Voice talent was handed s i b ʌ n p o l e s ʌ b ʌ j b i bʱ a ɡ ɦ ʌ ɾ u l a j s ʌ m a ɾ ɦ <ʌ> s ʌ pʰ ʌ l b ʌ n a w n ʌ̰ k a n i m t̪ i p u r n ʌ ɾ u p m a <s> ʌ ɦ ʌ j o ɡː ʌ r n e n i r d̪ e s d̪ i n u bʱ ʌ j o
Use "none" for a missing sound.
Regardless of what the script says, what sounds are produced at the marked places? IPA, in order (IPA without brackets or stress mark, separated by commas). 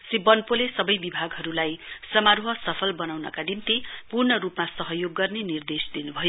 ʌ, s